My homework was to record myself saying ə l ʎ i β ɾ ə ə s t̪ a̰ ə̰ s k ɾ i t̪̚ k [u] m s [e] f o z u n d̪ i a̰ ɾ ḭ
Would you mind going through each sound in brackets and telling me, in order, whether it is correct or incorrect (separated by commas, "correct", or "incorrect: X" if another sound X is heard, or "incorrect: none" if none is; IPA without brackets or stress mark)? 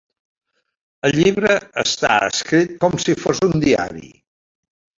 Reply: incorrect: ɔ, incorrect: i